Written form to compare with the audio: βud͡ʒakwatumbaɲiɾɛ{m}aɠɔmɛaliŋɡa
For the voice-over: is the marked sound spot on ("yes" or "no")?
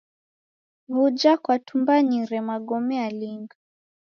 yes